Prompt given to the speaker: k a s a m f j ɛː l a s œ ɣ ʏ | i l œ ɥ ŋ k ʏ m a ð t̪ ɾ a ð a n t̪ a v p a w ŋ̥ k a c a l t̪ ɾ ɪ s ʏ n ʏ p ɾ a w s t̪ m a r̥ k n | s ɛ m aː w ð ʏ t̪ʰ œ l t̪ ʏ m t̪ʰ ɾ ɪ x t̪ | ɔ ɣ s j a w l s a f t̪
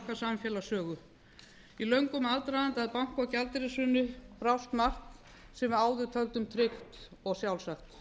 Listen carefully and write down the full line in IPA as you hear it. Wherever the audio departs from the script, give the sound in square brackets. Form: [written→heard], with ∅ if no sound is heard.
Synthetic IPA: k a s a m f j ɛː l a s [œ→œː] ɣ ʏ | i l œ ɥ ŋ k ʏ m a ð t̪ ɾ a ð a n t̪ a [v→ð] p a w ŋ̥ k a c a l t̪ ɾ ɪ s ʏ n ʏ p ɾ a w s t̪ m a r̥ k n | s ɛ m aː w ð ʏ t̪ʰ œ l t̪ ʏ m t̪ʰ ɾ ɪ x t̪ | ɔ ɣ s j a w l s a [f→x] t̪